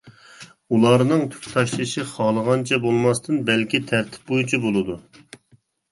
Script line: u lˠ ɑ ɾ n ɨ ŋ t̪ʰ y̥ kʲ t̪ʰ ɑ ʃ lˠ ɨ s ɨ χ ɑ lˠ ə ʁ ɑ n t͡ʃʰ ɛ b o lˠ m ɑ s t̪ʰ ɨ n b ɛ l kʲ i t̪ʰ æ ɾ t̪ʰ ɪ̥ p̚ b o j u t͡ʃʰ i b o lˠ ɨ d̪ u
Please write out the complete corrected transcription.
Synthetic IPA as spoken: u lˠ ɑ ɾ n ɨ ŋ t̪ʰ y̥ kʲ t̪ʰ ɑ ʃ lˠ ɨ ʃ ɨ χ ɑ lˠ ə ʁ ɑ n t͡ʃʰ ɛ b o lˠ m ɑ s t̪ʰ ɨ n b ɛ l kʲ i t̪ʰ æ ɾ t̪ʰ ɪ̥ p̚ b o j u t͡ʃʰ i b o lˠ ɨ d̪ u